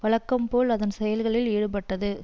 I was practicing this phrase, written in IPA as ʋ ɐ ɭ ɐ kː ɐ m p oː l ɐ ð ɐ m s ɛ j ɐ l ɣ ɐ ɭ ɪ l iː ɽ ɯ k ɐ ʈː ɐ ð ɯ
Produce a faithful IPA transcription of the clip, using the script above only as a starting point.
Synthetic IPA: ʋ ɐ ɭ ɐ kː ɐ m p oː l ɐ ð ɐ n s ɛ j ɐ l ɣ ɐ ɭ ɪ l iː ɽ ɯ p ɐ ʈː ɐ ð ɯ